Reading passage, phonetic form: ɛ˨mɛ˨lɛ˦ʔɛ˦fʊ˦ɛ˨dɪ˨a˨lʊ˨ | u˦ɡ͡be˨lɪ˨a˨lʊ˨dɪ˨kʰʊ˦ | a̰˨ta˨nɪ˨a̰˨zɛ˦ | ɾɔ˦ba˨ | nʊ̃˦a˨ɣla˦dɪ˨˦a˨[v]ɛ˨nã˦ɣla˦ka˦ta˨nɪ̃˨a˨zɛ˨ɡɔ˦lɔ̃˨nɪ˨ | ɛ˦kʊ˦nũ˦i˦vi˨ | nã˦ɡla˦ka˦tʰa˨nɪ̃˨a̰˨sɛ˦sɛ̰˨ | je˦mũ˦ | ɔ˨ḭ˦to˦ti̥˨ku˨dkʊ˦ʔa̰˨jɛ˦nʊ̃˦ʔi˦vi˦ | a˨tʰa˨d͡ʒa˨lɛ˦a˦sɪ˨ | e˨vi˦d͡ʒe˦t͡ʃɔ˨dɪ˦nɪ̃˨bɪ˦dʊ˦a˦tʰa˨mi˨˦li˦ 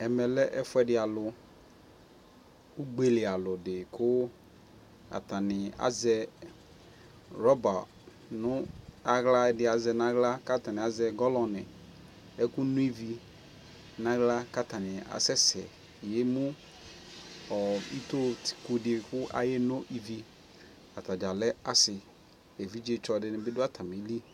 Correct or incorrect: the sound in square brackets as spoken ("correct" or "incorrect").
incorrect